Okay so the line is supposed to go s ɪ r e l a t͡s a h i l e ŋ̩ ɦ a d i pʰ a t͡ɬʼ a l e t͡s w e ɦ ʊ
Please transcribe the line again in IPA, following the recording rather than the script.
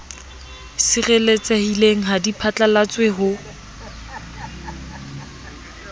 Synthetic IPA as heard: s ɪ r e l e t͡s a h i l e ŋ̩ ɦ a d i pʰ a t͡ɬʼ a l a t͡s w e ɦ ʊ